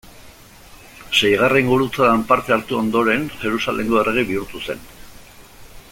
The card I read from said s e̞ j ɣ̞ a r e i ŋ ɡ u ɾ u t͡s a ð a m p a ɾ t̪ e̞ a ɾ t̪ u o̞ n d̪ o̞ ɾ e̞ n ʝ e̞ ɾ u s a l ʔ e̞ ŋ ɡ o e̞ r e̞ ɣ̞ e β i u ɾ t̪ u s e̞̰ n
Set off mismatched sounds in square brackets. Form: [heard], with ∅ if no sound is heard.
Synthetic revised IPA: s e̞ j ɣ̞ a r e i ŋ ɡ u ɾ u t͡s a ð a m p a ɾ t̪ e̞ a ɾ t̪ u o̞ n d̪ o̞ ɾ e̞ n ʝ e̞ ɾ u s a l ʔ e̞ ŋ ɡ o e̞ r e̞ ɣ̞ [i] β i u ɾ t̪ u s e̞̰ n